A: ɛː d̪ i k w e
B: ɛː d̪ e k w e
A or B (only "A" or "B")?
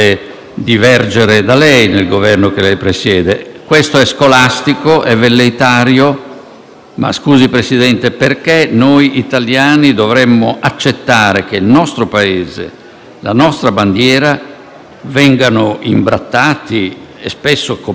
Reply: B